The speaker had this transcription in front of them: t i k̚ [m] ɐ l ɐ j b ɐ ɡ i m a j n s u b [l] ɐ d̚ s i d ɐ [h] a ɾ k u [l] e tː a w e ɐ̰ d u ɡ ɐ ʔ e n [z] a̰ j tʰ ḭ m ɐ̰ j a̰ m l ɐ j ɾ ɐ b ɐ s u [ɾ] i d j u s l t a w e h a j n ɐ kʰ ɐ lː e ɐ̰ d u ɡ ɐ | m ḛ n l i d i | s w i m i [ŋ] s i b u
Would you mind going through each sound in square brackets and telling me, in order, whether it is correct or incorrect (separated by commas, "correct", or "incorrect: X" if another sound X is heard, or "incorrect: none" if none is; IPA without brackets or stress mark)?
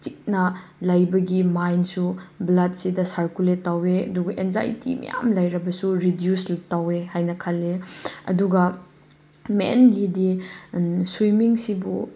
incorrect: n, correct, incorrect: s, correct, correct, correct, correct